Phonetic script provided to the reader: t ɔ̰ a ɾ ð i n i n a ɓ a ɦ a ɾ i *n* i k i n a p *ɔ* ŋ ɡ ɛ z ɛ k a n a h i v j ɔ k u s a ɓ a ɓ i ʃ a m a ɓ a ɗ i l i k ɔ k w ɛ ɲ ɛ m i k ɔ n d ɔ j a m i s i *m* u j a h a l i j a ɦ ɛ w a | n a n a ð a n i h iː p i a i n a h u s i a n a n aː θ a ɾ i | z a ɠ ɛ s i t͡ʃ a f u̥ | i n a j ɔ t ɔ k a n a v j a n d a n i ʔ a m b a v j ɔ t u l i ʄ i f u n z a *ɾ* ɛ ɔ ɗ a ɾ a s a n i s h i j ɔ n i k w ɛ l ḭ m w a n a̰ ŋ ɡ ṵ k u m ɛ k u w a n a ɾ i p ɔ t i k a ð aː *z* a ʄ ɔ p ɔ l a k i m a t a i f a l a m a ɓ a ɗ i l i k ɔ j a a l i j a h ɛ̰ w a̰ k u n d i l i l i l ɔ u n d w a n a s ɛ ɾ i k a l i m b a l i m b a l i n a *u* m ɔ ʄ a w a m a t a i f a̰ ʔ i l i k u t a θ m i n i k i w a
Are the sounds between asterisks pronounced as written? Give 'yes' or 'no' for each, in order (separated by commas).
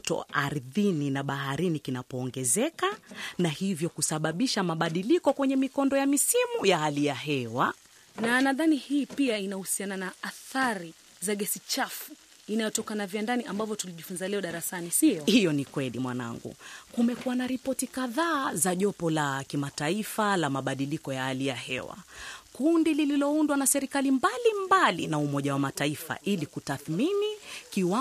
yes, no, yes, no, yes, yes